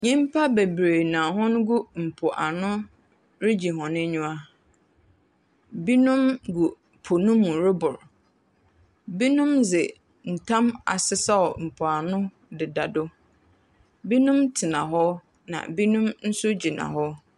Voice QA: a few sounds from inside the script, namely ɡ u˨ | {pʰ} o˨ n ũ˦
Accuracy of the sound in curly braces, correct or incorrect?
correct